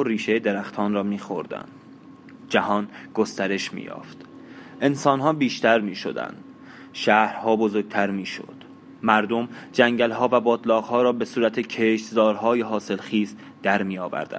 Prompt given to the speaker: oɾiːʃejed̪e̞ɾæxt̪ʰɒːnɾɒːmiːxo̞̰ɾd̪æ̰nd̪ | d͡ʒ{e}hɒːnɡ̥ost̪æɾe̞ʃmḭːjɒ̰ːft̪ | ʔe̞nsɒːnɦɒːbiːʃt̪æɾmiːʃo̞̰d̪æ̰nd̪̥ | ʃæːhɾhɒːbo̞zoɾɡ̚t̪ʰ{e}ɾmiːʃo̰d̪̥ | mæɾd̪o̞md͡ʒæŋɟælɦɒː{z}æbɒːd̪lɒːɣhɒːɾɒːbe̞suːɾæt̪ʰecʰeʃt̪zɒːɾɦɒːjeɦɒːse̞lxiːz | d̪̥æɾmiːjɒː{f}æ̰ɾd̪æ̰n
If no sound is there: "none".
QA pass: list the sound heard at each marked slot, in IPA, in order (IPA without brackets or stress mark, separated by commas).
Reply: æ, æ, v, v